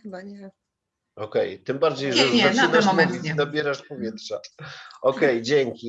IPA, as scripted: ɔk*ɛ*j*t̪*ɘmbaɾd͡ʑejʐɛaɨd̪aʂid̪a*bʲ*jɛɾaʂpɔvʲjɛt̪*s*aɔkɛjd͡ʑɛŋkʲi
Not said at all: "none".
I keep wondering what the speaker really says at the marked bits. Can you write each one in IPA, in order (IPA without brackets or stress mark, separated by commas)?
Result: ɛ, t̪, bʲ, ʂ